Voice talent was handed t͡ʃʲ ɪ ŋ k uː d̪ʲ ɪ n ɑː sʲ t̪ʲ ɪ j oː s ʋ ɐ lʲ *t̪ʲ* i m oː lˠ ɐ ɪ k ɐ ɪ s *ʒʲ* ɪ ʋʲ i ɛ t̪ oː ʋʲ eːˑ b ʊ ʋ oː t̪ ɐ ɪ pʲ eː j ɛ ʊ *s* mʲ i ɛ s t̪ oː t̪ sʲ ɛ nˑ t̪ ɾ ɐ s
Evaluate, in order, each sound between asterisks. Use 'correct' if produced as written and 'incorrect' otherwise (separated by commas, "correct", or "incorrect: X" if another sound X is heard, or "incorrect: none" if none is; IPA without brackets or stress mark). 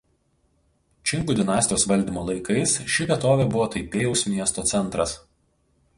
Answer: incorrect: d̪ʲ, incorrect: ʃʲ, correct